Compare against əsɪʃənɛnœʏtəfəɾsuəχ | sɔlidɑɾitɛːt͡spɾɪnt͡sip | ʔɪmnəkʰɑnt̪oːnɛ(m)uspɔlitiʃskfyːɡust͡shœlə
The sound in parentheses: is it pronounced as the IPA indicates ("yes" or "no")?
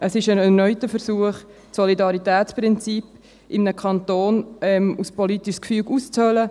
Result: yes